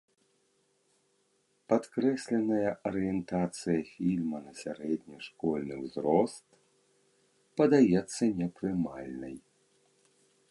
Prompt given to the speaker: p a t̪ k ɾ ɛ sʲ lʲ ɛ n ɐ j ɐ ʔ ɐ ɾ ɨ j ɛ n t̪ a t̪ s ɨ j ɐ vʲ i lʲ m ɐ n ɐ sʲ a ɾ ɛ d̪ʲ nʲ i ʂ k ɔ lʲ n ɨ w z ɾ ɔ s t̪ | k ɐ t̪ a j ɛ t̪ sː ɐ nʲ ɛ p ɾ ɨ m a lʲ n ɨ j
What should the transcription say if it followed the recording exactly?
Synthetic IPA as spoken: p a t̪ k ɾ ɛ sʲ lʲ ɛ n ɐ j ɐ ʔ ɐ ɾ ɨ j ɛ n t̪ a t̪ s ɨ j ɐ fʲ i lʲ m ɐ n ɐ sʲ a ɾ ɛ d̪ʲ nʲ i ʂ k ɔ lʲ n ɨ w z ɾ ɔ s t̪ | p ɐ d̪ a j ɛ t̪ sː ɐ nʲ ɛ p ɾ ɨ m a lʲ n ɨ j